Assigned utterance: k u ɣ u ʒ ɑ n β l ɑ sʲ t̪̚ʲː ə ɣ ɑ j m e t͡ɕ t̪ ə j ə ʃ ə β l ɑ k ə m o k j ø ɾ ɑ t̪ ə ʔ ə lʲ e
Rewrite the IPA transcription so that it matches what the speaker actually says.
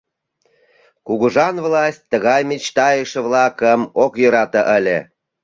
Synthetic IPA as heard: k u ɣ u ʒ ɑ n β l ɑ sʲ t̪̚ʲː ə ɣ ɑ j m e t͡ɕ t̪ ɑ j ə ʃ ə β l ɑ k ə m o k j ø ɾ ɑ t̪ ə ʔ ə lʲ e